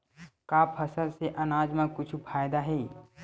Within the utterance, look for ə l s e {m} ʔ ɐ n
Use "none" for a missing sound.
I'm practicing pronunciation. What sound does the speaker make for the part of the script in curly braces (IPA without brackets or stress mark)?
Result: none